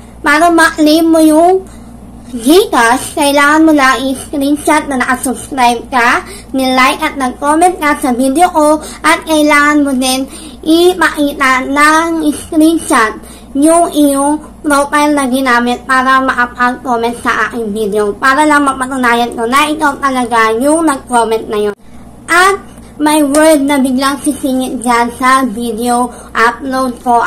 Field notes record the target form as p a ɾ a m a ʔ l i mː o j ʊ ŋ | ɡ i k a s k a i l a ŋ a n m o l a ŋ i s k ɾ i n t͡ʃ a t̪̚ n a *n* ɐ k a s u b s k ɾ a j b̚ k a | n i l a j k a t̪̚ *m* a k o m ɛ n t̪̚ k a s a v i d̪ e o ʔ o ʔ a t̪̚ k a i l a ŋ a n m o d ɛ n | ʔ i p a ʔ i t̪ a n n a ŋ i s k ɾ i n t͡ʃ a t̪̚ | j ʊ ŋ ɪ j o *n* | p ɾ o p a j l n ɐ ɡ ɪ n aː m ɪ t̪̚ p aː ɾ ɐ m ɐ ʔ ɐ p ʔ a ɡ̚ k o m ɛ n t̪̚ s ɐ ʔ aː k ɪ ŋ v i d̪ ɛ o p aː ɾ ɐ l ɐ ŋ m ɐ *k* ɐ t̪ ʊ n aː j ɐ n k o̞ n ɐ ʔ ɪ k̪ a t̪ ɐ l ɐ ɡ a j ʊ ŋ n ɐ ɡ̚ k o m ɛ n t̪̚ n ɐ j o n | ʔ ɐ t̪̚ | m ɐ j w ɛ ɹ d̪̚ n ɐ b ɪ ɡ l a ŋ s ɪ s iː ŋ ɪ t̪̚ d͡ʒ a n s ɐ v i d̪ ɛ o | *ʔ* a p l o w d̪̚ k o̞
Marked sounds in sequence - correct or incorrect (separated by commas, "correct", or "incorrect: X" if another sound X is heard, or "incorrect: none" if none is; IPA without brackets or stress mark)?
correct, incorrect: n, incorrect: ŋ, incorrect: p, correct